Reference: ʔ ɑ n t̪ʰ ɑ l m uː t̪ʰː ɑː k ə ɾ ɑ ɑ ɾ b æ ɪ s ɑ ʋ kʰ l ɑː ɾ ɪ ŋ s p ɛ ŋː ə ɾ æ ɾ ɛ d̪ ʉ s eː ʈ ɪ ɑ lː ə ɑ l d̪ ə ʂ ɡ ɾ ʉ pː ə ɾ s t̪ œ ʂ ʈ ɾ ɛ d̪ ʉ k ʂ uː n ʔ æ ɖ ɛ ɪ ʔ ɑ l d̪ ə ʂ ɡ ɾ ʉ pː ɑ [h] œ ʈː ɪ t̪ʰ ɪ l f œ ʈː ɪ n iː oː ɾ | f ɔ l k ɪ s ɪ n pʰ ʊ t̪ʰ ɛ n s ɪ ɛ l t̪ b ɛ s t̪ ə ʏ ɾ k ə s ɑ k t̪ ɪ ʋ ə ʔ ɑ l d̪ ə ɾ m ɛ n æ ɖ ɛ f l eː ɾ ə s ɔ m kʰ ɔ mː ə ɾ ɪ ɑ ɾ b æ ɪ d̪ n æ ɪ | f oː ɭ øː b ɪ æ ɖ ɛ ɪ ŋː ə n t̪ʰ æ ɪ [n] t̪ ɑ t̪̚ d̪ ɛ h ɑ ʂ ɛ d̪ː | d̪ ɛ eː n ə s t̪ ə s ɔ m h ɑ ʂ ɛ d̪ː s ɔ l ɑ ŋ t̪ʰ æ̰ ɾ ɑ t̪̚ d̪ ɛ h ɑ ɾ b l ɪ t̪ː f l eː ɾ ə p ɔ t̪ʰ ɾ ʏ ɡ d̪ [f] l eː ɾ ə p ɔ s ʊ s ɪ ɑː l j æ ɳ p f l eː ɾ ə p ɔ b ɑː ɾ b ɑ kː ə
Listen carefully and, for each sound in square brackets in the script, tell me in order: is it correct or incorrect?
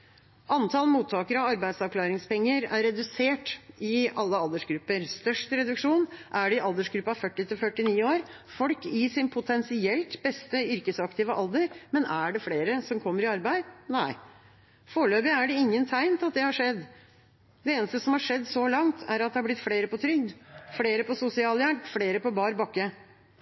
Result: incorrect, correct, correct

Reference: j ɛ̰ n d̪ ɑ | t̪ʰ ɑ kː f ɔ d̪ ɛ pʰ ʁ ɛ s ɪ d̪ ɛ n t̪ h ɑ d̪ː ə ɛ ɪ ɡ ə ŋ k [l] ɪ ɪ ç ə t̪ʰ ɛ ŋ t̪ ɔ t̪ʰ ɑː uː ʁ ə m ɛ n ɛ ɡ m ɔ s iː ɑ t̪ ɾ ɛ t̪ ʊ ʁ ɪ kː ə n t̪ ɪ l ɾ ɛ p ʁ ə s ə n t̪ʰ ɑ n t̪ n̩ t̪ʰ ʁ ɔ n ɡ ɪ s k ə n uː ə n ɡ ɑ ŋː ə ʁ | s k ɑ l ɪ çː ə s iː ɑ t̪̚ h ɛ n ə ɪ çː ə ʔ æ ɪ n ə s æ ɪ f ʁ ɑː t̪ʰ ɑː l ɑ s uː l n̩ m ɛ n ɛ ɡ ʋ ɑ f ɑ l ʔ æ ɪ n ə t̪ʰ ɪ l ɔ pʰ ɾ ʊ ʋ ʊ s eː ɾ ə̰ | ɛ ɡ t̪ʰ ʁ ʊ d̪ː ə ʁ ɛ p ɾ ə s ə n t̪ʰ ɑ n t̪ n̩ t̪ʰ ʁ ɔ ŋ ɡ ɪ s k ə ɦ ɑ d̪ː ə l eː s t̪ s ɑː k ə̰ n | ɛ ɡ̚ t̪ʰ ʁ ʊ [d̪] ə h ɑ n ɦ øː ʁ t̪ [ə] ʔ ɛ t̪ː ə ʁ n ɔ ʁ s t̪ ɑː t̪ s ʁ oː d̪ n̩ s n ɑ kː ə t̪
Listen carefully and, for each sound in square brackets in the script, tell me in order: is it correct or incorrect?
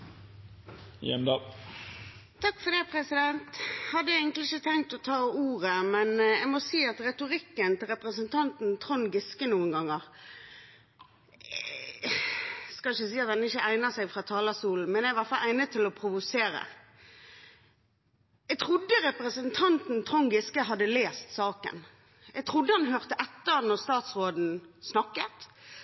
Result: correct, incorrect, correct

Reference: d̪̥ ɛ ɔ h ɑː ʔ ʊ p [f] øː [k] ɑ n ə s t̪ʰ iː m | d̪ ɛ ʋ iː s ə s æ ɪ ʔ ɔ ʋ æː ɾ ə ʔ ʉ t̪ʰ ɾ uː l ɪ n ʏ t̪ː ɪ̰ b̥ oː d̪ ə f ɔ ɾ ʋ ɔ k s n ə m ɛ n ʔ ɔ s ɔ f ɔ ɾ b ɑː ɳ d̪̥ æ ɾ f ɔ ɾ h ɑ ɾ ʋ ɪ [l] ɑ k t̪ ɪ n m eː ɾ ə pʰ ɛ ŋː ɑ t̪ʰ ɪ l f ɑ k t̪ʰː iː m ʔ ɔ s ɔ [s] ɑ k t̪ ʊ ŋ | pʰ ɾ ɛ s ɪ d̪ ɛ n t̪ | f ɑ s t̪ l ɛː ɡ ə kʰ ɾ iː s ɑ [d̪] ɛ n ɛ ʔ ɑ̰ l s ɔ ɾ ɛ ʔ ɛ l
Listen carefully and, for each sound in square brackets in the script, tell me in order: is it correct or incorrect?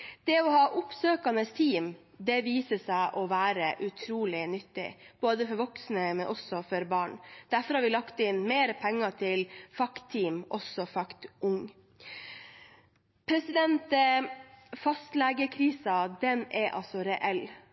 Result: incorrect, correct, correct, incorrect, correct

